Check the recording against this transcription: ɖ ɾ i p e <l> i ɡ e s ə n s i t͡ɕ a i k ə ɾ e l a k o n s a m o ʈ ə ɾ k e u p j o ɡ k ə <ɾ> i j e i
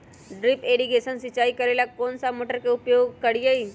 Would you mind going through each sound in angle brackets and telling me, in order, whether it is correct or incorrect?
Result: incorrect: ɽ, incorrect: ɽ

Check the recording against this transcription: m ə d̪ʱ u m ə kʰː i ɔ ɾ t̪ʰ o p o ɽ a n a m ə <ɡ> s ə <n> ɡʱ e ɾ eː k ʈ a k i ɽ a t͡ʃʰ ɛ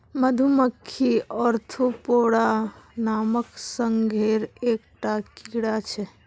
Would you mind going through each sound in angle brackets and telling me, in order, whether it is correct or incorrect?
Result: incorrect: k, incorrect: ŋ

